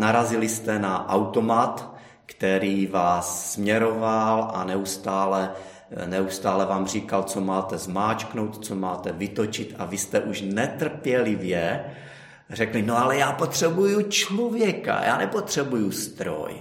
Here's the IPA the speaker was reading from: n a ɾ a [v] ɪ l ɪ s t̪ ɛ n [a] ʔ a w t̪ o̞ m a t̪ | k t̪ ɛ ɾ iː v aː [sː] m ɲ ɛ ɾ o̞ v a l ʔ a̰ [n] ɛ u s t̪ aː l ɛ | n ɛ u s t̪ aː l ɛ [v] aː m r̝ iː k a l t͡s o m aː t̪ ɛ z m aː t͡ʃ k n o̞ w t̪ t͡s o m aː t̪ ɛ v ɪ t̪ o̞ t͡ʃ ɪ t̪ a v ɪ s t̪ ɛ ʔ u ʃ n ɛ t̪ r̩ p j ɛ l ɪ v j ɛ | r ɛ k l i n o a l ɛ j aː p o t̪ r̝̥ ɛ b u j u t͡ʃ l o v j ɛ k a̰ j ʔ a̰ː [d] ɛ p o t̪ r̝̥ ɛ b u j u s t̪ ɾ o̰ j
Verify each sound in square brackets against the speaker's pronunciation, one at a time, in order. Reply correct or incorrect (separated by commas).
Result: incorrect, correct, correct, correct, correct, incorrect